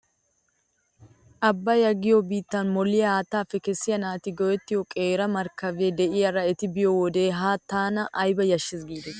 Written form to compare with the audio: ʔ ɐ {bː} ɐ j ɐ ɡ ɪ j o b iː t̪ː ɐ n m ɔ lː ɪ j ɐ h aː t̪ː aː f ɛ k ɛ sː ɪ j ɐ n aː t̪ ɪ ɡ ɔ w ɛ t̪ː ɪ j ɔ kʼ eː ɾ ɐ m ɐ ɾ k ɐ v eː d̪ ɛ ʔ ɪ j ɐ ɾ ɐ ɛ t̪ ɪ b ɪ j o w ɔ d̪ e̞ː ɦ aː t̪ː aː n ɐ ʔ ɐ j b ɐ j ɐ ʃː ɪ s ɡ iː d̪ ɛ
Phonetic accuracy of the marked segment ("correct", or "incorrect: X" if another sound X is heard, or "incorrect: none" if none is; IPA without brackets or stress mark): correct